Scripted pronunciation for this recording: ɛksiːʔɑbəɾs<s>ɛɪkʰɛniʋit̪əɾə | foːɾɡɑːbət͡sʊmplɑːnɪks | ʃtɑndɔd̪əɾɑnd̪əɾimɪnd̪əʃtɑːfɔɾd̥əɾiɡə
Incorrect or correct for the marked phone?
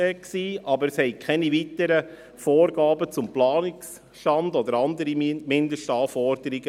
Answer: incorrect: h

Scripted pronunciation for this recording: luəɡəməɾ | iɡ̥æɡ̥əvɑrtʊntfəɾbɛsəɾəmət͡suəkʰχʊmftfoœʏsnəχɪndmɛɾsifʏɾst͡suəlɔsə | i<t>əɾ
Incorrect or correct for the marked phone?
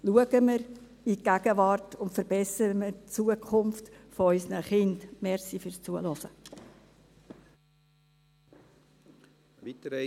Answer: correct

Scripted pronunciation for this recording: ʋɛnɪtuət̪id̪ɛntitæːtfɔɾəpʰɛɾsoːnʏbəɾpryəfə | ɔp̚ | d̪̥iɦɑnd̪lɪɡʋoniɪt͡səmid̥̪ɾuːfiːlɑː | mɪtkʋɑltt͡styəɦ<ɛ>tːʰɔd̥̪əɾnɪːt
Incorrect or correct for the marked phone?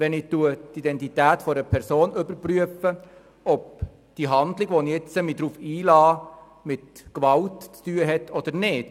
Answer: correct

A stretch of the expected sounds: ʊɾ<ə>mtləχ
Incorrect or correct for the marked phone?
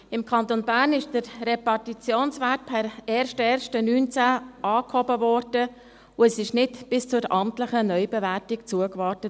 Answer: incorrect: ɑ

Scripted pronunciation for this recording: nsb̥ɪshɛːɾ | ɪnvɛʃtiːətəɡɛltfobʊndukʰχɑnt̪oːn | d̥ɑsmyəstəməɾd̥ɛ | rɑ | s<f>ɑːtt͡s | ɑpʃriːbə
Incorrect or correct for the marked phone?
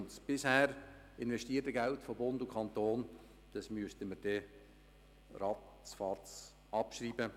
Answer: correct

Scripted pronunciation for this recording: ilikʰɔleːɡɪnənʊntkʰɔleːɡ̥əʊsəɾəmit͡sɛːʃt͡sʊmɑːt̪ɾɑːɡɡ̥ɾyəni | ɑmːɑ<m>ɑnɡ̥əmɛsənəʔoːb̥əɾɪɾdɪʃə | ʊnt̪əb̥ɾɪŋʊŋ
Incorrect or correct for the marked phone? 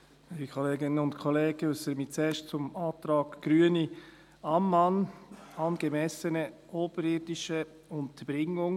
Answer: incorrect: n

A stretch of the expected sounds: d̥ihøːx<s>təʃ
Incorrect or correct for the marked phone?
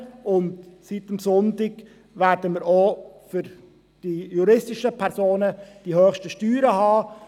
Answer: incorrect: ʃ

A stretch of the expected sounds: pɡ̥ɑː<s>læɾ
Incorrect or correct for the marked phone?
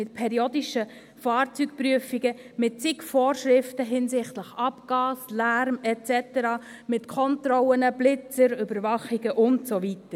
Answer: correct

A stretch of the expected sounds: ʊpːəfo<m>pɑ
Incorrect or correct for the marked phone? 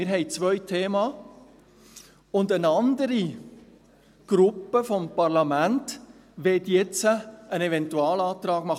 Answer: correct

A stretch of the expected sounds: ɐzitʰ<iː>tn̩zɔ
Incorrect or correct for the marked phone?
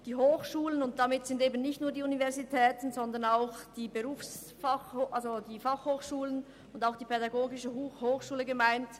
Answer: incorrect: ɛː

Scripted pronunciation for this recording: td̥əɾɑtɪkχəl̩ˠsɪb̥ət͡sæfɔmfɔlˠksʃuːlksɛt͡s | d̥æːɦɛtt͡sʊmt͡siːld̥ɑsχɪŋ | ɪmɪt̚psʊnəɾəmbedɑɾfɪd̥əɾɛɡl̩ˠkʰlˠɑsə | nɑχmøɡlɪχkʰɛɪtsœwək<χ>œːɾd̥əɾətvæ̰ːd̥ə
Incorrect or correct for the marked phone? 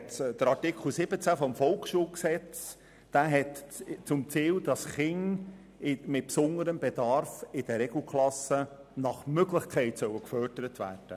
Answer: incorrect: f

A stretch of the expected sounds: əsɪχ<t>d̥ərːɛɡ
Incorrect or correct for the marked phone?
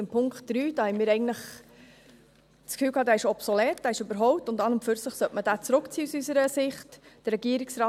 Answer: correct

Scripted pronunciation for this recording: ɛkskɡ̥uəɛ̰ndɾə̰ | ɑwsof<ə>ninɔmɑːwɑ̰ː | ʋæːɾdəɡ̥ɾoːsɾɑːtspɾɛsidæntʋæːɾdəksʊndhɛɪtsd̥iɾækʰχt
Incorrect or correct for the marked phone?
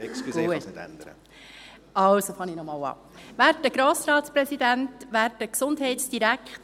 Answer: incorrect: ɑ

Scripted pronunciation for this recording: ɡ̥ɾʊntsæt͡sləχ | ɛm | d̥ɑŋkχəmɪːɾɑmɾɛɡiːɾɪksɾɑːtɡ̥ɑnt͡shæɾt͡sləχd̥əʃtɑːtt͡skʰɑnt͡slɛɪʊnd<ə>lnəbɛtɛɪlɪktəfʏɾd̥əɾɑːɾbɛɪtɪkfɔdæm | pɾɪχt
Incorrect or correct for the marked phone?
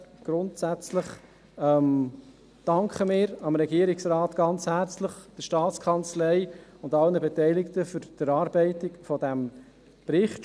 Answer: incorrect: ɑ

